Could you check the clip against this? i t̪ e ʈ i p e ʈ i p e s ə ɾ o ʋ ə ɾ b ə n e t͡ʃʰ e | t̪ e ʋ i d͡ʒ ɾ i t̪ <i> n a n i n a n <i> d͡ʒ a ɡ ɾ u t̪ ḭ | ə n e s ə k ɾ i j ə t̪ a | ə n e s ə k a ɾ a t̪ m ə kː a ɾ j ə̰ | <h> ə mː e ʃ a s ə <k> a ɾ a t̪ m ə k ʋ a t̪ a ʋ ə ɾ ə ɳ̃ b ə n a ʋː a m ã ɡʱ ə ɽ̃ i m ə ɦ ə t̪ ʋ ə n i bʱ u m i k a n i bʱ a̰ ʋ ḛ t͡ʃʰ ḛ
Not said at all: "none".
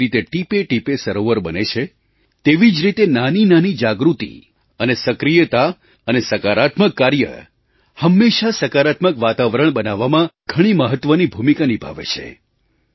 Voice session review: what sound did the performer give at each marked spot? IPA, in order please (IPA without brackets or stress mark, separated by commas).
e, i, h, k